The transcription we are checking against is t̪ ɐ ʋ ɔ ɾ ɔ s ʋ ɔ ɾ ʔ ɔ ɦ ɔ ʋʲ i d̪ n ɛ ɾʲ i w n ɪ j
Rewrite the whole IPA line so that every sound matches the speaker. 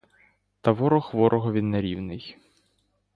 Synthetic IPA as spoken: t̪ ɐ ʋ ɔ ɾ ɔ x ʋ ɔ ɾ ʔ ɔ ɦ ɔ ʋʲ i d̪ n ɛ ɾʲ i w n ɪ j